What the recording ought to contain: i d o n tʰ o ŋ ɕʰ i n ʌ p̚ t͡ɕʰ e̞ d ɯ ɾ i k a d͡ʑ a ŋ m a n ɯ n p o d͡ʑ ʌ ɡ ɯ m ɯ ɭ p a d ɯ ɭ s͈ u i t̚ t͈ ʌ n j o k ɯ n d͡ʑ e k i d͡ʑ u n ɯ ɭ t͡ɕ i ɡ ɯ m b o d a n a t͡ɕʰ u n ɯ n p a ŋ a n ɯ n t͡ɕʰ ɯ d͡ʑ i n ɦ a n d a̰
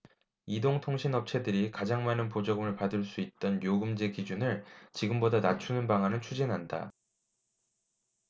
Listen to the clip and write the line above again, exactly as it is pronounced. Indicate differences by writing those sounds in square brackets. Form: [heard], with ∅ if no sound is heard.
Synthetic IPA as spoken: i d o [ŋ] tʰ o ŋ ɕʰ i n ʌ p̚ t͡ɕʰ e̞ d ɯ ɾ i k a d͡ʑ a ŋ m a n ɯ n p o d͡ʑ ʌ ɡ ɯ m ɯ ɭ p a d ɯ ɭ s͈ u i t̚ t͈ ʌ n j o [ɡ] ɯ [m] d͡ʑ e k i d͡ʑ u n ɯ ɭ t͡ɕ i ɡ ɯ m b o d a n a t͡ɕʰ u n ɯ n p a ŋ a n ɯ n t͡ɕʰ [u] d͡ʑ i n ɦ a n d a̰